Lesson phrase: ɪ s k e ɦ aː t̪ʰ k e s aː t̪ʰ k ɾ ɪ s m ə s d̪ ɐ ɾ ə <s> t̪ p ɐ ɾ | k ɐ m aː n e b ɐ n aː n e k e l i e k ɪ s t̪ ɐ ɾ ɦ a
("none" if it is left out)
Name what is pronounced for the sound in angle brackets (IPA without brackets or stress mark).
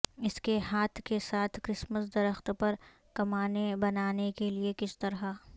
x